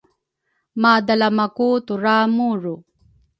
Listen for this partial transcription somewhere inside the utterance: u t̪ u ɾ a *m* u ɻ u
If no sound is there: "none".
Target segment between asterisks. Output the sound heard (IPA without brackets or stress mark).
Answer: m